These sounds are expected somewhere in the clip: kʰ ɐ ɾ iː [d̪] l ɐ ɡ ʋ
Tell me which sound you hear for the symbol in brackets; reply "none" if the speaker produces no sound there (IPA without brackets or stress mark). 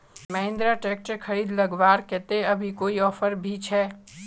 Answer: d̪